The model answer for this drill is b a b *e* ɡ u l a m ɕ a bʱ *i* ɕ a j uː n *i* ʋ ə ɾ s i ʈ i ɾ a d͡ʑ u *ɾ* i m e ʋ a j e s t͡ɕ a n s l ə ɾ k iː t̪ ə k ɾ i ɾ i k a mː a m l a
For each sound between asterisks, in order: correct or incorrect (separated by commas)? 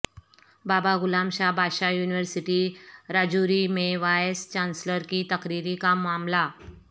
incorrect, incorrect, correct, correct